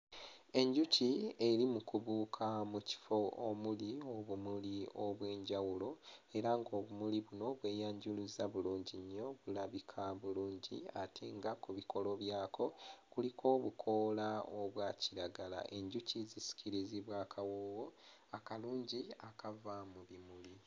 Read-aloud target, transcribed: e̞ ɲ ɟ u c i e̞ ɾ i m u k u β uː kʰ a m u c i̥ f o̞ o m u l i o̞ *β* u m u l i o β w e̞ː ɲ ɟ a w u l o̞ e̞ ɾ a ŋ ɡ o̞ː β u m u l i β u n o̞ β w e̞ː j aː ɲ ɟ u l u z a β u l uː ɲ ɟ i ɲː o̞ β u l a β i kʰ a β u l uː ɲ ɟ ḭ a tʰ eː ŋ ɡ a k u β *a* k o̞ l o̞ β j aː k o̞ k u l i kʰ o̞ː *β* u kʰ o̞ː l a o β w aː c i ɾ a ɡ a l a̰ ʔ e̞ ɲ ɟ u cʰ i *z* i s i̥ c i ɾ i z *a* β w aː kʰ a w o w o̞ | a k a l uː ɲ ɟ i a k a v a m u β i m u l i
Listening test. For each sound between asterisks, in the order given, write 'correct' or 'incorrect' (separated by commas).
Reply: correct, incorrect, correct, correct, incorrect